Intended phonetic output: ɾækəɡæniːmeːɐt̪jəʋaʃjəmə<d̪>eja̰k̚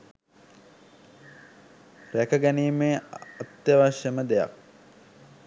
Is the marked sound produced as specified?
yes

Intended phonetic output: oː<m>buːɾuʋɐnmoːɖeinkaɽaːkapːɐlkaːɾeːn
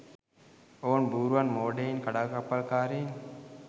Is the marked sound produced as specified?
no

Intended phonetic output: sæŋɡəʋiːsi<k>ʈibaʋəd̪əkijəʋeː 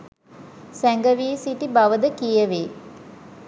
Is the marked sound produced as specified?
no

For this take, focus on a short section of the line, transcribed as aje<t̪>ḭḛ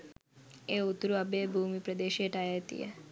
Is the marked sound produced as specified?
yes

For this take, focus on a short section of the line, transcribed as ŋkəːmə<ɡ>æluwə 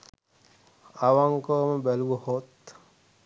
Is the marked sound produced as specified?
no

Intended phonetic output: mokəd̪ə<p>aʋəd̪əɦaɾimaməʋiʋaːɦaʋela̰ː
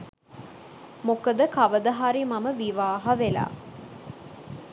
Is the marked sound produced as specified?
no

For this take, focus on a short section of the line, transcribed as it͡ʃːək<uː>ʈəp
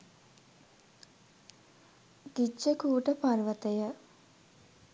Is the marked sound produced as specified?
yes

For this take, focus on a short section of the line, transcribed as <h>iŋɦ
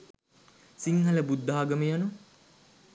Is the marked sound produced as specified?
no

